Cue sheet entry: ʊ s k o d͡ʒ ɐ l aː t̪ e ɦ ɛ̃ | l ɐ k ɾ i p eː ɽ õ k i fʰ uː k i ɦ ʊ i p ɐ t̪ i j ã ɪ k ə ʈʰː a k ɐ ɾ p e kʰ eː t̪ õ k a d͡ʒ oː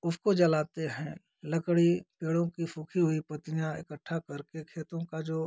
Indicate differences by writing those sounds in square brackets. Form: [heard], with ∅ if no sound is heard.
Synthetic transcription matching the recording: ʊ s k o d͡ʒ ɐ l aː t̪ e ɦ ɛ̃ | l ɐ k [ɽ] i p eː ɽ õ k i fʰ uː [kʰ] i ɦ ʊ i p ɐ t̪ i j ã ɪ k ə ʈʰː a k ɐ ɾ [k] e kʰ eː t̪ õ k a d͡ʒ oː